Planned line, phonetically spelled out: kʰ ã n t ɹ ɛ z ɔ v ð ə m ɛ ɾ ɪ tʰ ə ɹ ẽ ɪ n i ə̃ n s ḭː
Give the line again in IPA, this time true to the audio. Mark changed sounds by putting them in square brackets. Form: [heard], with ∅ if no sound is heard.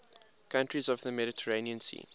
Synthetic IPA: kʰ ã n t ɹ [i] z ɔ v ð ə m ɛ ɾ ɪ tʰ ə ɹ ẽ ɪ n i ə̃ n s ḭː